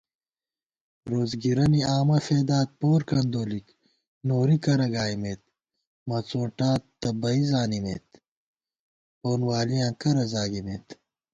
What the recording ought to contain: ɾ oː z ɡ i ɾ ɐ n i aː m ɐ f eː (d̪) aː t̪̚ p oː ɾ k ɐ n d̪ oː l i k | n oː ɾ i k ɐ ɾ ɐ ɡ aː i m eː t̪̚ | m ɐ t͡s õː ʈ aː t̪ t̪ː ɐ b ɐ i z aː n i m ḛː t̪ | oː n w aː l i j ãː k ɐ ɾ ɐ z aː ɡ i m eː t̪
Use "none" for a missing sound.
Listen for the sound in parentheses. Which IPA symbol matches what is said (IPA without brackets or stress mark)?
d̪